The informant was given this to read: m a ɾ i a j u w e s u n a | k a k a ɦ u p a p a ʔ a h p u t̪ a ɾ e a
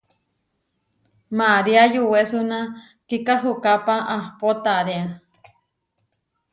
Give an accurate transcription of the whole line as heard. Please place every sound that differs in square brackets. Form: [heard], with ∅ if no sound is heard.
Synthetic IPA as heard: m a ɾ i a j u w e s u n a | k [i] k a ɦ u [k] a p a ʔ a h p [o] t̪ a ɾ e a